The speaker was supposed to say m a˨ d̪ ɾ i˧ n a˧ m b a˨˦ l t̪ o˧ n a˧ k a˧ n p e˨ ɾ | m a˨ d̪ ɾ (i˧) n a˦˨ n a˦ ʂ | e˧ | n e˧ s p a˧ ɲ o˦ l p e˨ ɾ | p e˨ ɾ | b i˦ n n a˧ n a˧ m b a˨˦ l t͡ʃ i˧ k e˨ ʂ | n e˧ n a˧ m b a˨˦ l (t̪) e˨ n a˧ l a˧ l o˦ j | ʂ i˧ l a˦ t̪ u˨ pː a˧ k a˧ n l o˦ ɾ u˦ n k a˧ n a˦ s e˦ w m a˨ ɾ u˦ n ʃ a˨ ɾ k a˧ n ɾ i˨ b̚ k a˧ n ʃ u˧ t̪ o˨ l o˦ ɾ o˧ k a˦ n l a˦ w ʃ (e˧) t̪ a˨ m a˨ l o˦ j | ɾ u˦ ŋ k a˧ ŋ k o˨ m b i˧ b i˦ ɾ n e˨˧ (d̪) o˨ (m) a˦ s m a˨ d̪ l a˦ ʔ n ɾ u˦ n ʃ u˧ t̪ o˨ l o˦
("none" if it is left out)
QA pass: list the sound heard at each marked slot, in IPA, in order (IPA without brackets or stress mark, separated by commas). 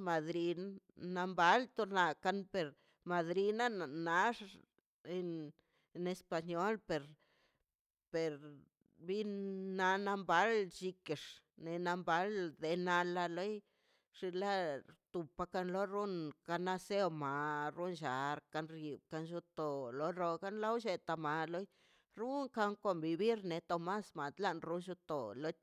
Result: i˧, d̪, e˧, t̪, m